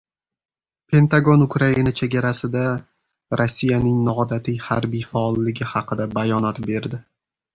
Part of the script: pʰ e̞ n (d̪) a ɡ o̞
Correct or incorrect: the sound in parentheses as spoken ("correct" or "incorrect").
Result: incorrect